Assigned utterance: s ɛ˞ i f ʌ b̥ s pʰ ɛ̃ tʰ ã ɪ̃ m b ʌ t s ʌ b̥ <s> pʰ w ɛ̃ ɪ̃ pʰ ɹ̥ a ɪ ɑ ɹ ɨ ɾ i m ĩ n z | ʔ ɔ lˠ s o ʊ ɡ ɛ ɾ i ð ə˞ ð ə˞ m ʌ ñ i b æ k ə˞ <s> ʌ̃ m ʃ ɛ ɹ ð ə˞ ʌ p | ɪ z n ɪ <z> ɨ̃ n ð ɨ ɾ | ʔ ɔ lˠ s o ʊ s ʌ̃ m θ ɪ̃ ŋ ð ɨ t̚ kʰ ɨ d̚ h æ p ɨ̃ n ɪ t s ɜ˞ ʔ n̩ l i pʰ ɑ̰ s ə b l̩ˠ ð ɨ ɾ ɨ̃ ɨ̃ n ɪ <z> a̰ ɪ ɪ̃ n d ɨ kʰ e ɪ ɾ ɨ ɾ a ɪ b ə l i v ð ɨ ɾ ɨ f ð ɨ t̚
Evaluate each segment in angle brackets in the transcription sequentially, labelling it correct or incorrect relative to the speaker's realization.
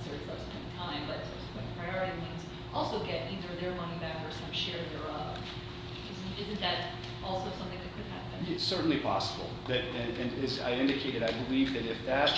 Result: correct, correct, correct, correct

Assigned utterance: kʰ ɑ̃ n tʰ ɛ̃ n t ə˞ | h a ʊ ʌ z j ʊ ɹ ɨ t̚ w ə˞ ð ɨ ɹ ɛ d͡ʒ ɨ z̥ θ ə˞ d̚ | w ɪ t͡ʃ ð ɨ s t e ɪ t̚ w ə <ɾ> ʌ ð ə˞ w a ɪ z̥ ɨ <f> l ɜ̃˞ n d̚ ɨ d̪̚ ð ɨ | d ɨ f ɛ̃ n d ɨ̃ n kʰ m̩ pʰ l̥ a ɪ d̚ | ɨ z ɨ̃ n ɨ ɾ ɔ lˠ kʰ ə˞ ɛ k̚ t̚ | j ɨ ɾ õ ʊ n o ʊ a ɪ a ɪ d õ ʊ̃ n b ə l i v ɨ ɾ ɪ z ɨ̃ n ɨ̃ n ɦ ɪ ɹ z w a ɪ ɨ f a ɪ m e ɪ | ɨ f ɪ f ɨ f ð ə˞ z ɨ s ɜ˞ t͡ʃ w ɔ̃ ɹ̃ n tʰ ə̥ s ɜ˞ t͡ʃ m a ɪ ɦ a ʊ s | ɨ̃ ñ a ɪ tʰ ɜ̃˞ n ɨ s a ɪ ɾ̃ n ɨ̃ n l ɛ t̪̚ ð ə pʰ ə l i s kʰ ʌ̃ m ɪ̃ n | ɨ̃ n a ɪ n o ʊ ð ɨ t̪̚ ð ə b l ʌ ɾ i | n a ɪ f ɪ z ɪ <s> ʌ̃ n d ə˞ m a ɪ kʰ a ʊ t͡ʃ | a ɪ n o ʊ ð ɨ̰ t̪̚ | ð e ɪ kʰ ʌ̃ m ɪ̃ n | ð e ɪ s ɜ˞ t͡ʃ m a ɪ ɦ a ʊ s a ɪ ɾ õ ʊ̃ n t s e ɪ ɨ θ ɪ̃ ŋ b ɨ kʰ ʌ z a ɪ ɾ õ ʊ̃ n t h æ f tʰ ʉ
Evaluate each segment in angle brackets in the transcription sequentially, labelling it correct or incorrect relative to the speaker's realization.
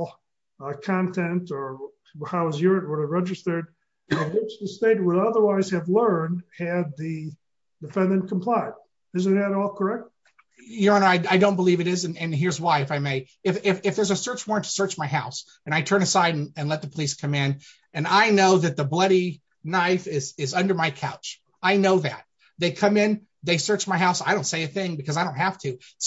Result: correct, incorrect: v, incorrect: z

